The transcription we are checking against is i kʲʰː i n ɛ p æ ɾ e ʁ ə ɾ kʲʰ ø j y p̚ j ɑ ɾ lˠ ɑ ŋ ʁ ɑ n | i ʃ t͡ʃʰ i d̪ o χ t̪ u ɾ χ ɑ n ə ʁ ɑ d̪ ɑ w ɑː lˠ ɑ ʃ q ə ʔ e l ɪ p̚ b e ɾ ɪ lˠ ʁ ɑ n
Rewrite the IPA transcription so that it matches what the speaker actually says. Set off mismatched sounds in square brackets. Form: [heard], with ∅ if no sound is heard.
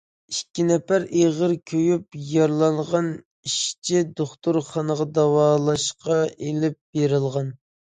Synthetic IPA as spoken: i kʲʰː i n ɛ p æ ɾ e ʁ ə ɾ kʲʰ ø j y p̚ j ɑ ɾ lˠ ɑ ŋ ʁ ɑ n | i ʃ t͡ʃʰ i d̪ o χ t̪ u ɾ χ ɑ n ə ʁ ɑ d̪ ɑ w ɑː lˠ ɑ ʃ q [ɑ] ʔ e l ɪ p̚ b e ɾ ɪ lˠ ʁ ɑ n

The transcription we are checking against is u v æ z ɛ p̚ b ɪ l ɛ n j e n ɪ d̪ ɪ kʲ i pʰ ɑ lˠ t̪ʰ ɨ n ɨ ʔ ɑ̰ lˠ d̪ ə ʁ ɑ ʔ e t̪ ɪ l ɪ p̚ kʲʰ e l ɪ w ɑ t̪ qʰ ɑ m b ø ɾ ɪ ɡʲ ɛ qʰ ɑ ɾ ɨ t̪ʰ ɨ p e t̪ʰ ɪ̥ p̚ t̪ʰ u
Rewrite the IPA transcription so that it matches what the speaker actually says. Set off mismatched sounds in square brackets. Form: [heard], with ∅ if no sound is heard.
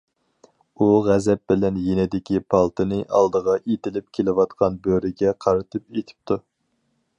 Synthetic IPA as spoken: u [ʁ] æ z ɛ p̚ b ɪ l ɛ n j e n ɪ d̪ ɪ kʲ i pʰ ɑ lˠ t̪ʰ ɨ n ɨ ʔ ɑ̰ lˠ d̪ ə ʁ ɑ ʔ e t̪ ɪ l ɪ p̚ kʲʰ e l ɪ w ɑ t̪ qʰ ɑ [n] b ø ɾ ɪ ɡʲ ɛ qʰ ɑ ɾ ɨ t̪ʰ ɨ p e t̪ʰ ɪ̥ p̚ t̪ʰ u

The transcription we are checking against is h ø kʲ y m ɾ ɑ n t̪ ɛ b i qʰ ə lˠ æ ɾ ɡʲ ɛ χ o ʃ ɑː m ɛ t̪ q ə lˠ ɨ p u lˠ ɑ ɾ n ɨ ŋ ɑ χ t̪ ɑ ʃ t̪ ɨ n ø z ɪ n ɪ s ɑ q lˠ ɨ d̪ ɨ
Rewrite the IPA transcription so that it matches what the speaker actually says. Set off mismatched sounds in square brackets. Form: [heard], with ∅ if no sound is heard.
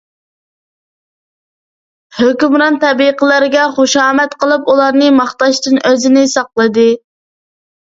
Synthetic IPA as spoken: h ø kʲ y m ɾ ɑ n t̪ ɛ b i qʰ ə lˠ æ ɾ ɡʲ ɛ χ o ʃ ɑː m ɛ t̪ q ə lˠ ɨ p u lˠ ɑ ɾ n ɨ [m] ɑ χ t̪ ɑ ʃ t̪ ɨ n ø z ɪ n ɪ s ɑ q lˠ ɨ d̪ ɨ

